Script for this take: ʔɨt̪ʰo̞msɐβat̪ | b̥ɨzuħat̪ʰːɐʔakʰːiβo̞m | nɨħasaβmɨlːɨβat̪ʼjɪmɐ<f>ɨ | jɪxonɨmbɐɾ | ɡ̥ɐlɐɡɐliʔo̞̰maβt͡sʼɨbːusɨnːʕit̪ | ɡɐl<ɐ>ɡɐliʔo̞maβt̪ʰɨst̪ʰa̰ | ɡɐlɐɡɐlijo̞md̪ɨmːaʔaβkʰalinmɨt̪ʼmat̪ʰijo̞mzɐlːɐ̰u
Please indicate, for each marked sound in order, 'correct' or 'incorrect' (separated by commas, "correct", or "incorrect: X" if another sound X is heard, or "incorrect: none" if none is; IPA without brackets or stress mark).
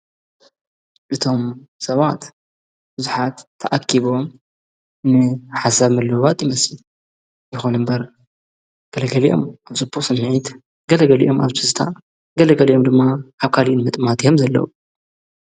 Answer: incorrect: s, correct